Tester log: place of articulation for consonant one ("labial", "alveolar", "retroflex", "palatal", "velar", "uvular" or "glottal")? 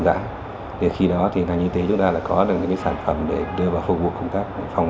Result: alveolar